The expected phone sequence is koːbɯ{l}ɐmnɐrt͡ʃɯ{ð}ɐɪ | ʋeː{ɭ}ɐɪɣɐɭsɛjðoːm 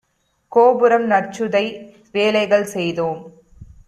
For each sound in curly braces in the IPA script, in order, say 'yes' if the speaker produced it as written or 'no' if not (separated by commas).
no, yes, no